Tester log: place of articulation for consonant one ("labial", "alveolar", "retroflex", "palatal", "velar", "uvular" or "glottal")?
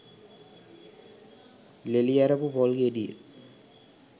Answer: alveolar